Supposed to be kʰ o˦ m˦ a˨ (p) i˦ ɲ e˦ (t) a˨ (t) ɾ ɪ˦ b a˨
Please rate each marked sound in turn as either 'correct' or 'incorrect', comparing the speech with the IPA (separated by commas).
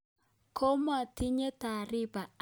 incorrect, correct, incorrect